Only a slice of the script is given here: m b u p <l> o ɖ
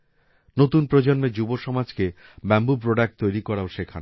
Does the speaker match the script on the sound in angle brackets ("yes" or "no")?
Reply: no